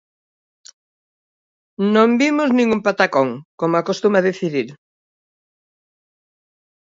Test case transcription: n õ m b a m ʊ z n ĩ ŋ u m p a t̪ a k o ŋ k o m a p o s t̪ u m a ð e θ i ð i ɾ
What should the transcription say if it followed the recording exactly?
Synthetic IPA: n õ m b i m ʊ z n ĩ ŋ u m p a t̪ a k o ŋ k o m a k o s t̪ u m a ð e θ i ð i ɾ